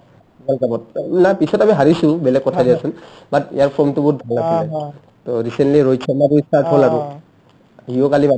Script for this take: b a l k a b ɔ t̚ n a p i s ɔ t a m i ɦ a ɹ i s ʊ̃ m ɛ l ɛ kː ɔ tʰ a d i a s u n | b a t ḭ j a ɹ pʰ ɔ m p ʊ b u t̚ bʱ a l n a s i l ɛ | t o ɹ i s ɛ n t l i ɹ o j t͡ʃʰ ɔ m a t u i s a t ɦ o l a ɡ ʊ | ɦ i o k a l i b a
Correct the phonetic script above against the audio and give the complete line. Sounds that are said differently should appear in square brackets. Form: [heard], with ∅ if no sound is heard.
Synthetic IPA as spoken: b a l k a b ɔ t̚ n a p i s ɔ t a m i ɦ a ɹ i s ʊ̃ [b] ɛ l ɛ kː ɔ tʰ a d i a s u n | b a t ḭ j a ɹ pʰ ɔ m [t] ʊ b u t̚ bʱ a l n a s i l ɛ | t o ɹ i s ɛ n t l i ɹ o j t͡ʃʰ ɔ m a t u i s a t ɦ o l a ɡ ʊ | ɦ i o k a l i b a